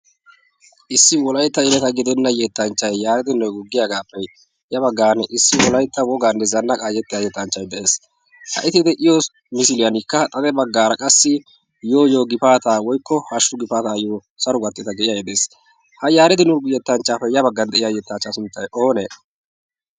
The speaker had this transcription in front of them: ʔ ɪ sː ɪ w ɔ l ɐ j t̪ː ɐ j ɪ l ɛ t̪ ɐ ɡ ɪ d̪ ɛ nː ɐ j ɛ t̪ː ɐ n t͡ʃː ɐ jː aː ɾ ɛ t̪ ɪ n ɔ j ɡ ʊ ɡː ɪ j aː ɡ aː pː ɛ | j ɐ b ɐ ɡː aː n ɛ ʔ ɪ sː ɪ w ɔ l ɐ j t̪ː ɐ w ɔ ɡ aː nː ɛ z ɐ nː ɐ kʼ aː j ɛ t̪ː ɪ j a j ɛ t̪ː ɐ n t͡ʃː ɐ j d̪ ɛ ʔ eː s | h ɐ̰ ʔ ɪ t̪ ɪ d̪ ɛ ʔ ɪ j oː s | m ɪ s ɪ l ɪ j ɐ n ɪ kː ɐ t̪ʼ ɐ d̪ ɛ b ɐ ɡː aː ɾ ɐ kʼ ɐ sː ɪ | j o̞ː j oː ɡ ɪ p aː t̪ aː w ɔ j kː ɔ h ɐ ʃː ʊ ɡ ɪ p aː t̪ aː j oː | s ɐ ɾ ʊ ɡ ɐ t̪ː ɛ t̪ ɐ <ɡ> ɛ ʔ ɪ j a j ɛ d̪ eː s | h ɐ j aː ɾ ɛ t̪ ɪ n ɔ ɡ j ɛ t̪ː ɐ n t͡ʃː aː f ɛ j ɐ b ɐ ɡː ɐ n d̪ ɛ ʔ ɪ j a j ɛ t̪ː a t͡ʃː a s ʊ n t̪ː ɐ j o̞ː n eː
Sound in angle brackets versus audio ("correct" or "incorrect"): correct